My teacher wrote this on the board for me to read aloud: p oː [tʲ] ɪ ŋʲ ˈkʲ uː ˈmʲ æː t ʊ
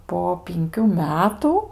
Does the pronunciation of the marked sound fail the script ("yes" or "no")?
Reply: yes